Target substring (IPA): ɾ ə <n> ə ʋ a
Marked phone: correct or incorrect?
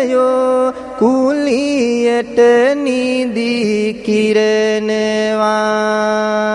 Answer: correct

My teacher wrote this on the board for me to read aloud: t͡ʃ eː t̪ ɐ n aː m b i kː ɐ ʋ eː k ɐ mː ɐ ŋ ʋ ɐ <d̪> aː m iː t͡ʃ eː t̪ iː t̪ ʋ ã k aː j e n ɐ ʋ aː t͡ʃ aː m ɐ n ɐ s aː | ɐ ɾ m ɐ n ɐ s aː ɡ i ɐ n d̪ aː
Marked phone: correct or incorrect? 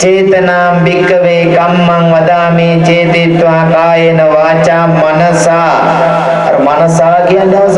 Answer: correct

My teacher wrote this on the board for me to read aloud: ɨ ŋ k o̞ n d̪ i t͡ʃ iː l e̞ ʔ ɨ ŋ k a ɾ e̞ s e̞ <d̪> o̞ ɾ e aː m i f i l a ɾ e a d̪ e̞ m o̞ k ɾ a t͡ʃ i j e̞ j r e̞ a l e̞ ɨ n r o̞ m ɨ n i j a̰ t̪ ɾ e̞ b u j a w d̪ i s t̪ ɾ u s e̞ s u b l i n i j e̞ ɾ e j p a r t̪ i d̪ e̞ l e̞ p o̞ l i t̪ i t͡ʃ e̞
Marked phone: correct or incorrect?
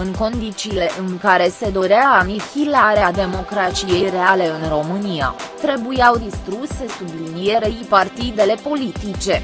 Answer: correct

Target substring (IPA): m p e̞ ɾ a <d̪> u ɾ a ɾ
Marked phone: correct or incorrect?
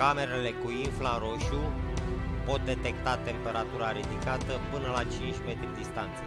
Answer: incorrect: t̪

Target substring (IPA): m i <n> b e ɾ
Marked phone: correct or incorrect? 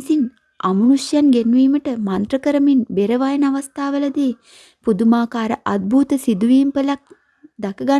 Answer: correct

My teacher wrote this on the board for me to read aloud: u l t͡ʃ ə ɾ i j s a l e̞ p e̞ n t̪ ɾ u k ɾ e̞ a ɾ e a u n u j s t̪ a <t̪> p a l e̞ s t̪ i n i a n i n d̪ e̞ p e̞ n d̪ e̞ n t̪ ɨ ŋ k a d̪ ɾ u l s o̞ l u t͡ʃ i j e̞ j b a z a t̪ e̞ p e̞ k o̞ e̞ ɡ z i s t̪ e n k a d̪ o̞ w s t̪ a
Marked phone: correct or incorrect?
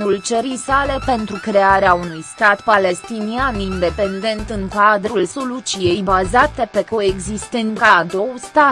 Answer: correct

